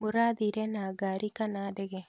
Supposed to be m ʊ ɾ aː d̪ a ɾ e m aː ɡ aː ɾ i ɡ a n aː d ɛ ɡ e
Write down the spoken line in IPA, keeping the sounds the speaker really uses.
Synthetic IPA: m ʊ ɾ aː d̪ i ɾ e n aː ɡ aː ɾ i k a n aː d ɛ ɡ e

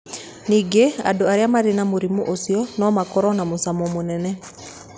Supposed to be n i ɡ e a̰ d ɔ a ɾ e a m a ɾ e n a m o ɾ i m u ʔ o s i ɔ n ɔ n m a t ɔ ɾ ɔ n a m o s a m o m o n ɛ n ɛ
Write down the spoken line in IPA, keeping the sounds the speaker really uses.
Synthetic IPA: n i ɡ e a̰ d o a ɾ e a m a ɾ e n a m o ɾ i m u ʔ o s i ɔ n ɔ m a k ɔ ɾ ɔ n a m o s a m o m o n ɛ n ɛ

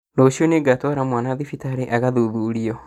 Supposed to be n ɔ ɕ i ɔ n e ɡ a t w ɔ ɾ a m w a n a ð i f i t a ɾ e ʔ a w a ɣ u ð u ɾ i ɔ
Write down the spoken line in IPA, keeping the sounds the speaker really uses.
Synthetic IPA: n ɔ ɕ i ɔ n e ɡ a t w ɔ ɾ a m w a n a ð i f i t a ɾ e ʔ a ɣ a ð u ð u ɾ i ɔ

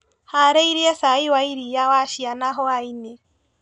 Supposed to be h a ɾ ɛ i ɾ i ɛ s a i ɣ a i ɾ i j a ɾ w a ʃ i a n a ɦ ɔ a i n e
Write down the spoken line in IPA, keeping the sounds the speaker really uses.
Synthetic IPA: h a ɾ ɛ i ɾ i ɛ s a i w a i ɾ i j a w a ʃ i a n a ɦ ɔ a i n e

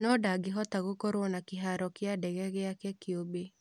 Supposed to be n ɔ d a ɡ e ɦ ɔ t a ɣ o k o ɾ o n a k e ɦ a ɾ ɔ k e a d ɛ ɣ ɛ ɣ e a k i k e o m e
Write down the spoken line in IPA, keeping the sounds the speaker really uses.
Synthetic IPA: n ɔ d a ɡ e ɦ ɔ t a ɣ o k o ɾ o n a k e ɦ a ɾ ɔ k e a d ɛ ɣ ɛ ɣ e a k ɛ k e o b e

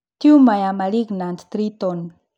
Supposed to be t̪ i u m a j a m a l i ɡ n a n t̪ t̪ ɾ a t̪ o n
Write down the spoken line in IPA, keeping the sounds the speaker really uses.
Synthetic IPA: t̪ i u m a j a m a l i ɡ n a n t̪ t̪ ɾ i t̪ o n

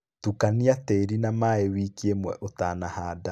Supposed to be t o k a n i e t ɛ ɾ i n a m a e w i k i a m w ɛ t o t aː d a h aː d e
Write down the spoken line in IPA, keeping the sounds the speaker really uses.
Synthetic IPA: t u k a n i a t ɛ ɾ i n a m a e w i k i e m w ɛ ʔ o t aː n a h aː d a

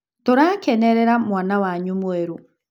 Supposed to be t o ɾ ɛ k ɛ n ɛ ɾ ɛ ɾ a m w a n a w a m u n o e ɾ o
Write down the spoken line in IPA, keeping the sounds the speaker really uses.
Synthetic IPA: t o ɾ a k ɛ n ɛ ɾ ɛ ɾ a m w a n a w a ɲ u m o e ɾ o

